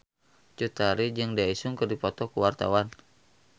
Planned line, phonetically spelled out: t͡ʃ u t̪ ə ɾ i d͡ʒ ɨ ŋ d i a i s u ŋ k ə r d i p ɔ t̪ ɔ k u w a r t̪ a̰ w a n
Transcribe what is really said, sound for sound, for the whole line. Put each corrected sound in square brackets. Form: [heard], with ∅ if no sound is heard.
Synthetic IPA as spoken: t͡ʃ u t̪ [a] ɾ i d͡ʒ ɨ ŋ d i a i s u ŋ k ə r d i p ɔ t̪ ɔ k u w a r t̪ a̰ w a n

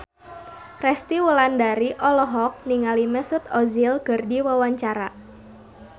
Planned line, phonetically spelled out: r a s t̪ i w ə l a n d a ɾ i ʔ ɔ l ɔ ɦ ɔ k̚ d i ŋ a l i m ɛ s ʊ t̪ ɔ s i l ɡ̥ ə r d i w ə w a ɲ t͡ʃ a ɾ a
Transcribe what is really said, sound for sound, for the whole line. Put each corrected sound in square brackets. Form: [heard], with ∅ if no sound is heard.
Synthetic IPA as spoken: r [ɛ] s t̪ i w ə l a n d a ɾ i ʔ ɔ l ɔ ɦ ɔ k̚ [n] i ŋ a l i m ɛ s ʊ t̪ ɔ [z] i l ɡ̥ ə r d i w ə w a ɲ t͡ʃ a ɾ a

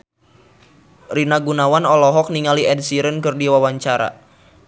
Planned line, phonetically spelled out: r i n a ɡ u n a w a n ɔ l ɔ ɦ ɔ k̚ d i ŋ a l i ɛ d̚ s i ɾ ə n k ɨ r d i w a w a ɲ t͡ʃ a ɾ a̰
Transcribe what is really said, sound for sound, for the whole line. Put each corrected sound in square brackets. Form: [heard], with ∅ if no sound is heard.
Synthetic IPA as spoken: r i n a ɡ u n a w a n ɔ l ɔ ɦ ɔ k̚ [n] i ŋ a l i ɛ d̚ s i ɾ ə n k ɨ r d i w a w a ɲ t͡ʃ a ɾ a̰

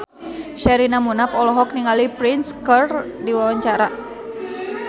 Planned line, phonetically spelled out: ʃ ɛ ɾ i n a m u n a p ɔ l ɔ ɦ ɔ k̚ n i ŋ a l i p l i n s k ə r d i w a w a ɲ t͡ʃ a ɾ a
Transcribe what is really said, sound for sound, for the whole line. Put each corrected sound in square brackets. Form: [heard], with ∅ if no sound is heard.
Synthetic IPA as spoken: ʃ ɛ ɾ i n a m u n a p ɔ l ɔ ɦ ɔ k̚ n i ŋ a l i p [ɾ] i n s k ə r d i w a w a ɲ t͡ʃ a ɾ a

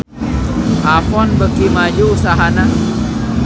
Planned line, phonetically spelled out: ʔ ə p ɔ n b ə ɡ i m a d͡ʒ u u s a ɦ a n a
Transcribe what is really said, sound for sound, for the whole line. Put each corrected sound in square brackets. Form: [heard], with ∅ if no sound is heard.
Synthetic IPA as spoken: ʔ [a] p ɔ n b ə [k] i m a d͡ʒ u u s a ɦ a n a

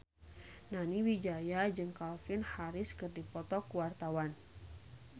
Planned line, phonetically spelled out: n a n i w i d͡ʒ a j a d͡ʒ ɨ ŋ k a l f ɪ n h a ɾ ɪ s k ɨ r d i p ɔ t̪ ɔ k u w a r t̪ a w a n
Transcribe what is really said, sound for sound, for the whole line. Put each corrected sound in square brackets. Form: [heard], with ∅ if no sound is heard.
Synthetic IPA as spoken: n a n i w i d͡ʒ a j a d͡ʒ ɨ ŋ k a l f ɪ n h a ɾ ɪ s k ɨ r d i p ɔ t̪ ɔ k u w a r t̪ a w a n

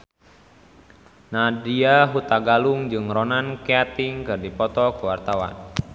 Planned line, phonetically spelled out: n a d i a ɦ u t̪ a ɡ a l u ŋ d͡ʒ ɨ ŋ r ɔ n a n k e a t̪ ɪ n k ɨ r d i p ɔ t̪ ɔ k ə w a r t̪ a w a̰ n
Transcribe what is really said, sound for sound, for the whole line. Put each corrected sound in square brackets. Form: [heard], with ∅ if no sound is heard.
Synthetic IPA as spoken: n a d i a ɦ u t̪ a ɡ a l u ŋ d͡ʒ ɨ ŋ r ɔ n a n k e a t̪ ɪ [ŋ] k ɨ r d i p ɔ t̪ ɔ k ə w a r t̪ a w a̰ n

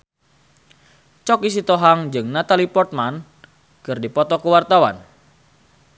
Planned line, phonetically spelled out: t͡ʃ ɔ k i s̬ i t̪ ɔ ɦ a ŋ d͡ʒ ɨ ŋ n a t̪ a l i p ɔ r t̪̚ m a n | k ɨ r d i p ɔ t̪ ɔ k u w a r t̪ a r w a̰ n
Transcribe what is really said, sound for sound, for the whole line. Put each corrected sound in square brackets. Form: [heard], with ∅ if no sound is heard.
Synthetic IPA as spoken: t͡ʃ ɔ k i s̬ i t̪ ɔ ɦ a ŋ d͡ʒ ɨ ŋ n a t̪ a l i p ɔ r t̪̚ m a n | k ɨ r d i p ɔ t̪ ɔ k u w a r t̪ a [∅] w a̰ n

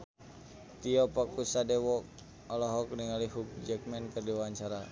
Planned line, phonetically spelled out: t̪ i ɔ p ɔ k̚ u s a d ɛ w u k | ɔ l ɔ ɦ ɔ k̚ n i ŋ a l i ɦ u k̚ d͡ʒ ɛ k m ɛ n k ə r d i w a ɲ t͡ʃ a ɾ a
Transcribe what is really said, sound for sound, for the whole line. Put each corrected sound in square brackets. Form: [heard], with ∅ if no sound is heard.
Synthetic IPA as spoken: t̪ i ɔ p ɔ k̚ u s a d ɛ w [ɔ] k | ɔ l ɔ ɦ ɔ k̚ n i ŋ a l i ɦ u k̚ d͡ʒ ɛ k m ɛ n k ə r d i w a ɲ t͡ʃ a ɾ a

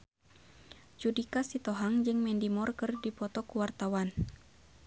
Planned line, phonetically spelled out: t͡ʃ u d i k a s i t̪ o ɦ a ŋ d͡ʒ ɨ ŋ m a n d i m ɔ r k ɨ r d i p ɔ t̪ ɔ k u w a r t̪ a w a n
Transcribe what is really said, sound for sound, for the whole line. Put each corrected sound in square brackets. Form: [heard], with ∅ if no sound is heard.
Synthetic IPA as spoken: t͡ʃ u d i k a s i t̪ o ɦ a ŋ d͡ʒ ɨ ŋ m [ɛ] n d i m ɔ r k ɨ r d i p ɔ t̪ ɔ k u w a r t̪ a w a n

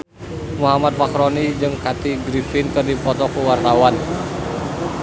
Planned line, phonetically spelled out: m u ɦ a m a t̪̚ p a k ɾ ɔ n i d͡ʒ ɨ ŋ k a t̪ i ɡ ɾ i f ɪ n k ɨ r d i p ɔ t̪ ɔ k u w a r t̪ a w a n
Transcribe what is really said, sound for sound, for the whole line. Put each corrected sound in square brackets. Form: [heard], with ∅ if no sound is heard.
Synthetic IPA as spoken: m u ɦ a m a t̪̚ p a k ɾ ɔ n i d͡ʒ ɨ ŋ k a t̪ i ɡ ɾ i f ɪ n k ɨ r d i p ɔ t̪ ɔ k u w a r t̪ a w a n

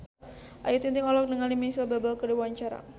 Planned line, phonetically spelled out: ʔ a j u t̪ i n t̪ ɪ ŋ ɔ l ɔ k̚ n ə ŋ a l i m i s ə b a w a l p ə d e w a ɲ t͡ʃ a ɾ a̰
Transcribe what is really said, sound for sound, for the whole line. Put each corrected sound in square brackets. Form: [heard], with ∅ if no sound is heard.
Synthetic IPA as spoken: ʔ a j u t̪ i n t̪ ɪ ŋ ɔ l ɔ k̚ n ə ŋ a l i m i s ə b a [b] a l [k] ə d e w a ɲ t͡ʃ a ɾ a̰

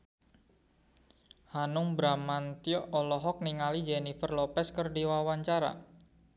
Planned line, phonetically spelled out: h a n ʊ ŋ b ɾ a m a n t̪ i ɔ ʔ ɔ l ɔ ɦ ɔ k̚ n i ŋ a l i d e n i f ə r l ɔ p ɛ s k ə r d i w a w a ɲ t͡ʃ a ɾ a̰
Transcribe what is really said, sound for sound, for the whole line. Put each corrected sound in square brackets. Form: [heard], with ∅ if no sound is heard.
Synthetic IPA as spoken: h a n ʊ ŋ b ɾ a m a n t̪ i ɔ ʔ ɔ l ɔ ɦ ɔ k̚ n i ŋ a l i [d͡ʒ] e n i f ə r l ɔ p ɛ s k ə r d i w a w a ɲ t͡ʃ a ɾ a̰

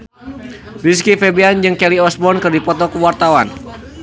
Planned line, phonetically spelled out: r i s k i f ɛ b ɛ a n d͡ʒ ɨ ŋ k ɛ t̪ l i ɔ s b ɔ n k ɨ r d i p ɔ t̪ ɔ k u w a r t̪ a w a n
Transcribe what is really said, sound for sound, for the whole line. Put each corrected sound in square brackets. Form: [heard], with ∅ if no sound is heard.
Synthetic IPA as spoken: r i s k i f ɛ b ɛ a n d͡ʒ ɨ ŋ k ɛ [∅] l i ɔ s b ɔ n k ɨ r d i p ɔ t̪ ɔ k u w a r t̪ a w a n

